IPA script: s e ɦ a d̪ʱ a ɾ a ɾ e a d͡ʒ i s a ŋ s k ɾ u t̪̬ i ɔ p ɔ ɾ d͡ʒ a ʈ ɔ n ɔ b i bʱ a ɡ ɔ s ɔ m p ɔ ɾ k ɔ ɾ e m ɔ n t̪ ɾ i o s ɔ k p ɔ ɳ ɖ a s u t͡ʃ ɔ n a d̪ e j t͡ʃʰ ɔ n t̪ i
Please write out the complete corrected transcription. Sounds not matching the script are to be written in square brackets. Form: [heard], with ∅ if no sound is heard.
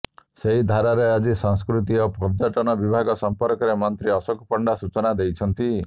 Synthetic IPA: s e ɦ [i] d̪ʱ a ɾ a ɾ e a d͡ʒ i s a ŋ s k ɾ u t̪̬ i ɔ p ɔ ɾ d͡ʒ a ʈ ɔ n ɔ b i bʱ a ɡ ɔ s ɔ m p ɔ ɾ k ɔ ɾ e m ɔ n t̪ ɾ i [ɔ] s ɔ k p ɔ ɳ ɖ a s u t͡ʃ ɔ n a d̪ e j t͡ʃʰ ɔ n t̪ i

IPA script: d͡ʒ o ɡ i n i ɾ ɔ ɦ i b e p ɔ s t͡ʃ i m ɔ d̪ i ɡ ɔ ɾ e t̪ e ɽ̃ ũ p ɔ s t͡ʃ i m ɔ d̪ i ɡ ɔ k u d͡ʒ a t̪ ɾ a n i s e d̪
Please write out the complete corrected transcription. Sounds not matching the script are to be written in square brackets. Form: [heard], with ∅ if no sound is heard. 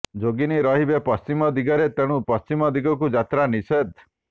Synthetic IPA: d͡ʒ o ɡ i n i ɾ ɔ ɦ i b e p ɔ s t͡ʃ i m ɔ d̪ i ɡ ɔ ɾ e t̪ e ɽ̃ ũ p ɔ s t͡ʃ i m ɔ d̪ i ɡ ɔ k u d͡ʒ a t̪ ɾ a n i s e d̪

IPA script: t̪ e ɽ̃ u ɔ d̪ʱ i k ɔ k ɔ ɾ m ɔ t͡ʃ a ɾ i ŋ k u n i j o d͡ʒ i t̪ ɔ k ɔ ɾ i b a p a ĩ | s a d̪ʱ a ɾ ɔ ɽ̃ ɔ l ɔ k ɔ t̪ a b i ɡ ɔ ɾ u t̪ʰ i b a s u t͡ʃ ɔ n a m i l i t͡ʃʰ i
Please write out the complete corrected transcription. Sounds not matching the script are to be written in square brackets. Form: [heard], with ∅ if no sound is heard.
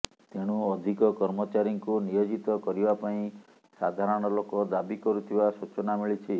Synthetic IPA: t̪ e ɽ̃ u ɔ d̪ʱ i k ɔ k ɔ ɾ m ɔ t͡ʃ a ɾ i ŋ k u n i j o d͡ʒ i t̪ ɔ k ɔ ɾ i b a p a ĩ | s a d̪ʱ a ɾ ɔ ɽ̃ ɔ l [o] k ɔ [d̪] a b i [k] ɔ ɾ u t̪ʰ i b a s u t͡ʃ ɔ n a m i [ɭ] i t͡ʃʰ i

